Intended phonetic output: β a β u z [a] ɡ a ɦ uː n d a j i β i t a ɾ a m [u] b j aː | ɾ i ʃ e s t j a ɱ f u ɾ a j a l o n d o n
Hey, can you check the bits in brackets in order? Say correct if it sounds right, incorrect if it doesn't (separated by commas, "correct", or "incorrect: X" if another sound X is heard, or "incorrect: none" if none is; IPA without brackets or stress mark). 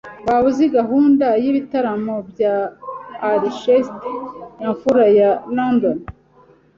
incorrect: i, incorrect: o